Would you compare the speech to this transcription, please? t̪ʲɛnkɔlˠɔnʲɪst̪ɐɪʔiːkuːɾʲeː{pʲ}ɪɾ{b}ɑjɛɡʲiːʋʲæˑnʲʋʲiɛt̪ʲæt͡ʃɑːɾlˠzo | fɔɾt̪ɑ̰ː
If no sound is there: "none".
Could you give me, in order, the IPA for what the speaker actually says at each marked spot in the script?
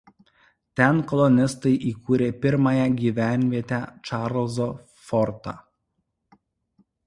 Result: pʲ, m

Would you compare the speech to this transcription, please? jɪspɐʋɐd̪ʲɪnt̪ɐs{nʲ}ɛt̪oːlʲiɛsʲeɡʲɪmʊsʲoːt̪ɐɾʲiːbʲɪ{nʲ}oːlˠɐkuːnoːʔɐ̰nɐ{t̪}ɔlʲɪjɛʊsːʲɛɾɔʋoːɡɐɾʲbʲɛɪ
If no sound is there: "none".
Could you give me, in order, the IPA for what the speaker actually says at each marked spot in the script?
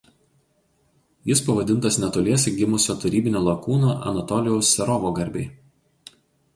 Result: nʲ, nʲ, t̪

